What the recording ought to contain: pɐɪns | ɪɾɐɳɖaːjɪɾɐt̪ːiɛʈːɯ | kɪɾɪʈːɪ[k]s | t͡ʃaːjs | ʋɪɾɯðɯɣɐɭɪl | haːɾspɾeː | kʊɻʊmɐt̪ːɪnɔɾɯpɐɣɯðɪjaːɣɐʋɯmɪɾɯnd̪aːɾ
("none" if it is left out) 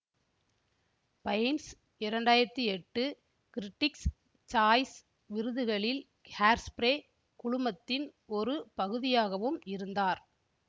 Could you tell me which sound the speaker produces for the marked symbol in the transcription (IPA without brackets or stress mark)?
k